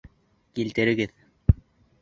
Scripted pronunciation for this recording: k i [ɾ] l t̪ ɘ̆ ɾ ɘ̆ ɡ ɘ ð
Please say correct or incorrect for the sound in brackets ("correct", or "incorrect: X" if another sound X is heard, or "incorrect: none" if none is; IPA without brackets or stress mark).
incorrect: none